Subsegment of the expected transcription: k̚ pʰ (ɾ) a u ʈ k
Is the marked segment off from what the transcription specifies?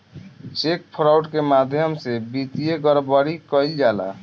no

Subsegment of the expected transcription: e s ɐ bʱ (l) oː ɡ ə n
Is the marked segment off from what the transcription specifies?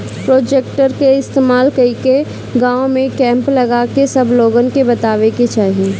no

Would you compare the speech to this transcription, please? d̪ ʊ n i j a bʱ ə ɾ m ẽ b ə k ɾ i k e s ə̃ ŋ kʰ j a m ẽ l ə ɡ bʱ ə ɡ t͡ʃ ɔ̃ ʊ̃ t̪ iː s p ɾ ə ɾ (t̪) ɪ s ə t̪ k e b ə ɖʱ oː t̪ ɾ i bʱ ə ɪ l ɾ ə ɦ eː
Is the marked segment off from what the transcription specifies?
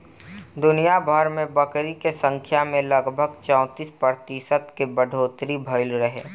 no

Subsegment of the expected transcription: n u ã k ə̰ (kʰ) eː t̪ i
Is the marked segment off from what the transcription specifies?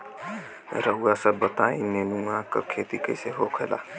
no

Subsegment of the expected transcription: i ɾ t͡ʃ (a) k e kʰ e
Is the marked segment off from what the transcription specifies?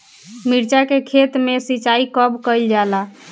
no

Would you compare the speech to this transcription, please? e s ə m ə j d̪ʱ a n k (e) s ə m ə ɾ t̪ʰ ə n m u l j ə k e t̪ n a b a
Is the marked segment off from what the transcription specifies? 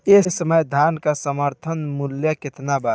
yes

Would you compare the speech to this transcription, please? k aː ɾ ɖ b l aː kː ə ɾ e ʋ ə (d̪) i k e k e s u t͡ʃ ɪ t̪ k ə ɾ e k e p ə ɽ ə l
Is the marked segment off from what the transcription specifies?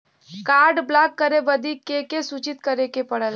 no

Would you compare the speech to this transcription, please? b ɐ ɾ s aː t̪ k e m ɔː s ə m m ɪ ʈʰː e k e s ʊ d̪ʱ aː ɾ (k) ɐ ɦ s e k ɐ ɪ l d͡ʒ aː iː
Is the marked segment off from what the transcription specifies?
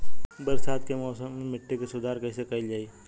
no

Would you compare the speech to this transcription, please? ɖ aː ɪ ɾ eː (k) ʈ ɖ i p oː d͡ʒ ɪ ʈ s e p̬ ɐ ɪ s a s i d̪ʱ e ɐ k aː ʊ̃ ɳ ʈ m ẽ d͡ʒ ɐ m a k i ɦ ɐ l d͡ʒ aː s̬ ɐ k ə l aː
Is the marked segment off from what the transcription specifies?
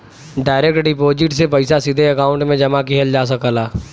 no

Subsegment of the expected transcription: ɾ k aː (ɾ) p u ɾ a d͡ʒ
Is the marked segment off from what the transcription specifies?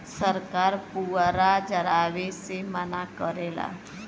no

